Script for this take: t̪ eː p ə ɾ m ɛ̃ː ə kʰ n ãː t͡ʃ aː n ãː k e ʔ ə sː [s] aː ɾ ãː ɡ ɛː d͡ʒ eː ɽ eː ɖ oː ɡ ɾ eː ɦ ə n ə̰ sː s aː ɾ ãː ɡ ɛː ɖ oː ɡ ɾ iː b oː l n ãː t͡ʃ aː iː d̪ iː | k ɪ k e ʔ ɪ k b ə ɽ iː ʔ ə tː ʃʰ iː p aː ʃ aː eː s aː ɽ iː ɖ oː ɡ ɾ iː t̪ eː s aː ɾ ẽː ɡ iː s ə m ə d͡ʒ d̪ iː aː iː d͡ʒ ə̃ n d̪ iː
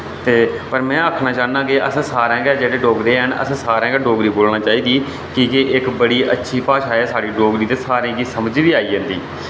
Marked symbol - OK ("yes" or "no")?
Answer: yes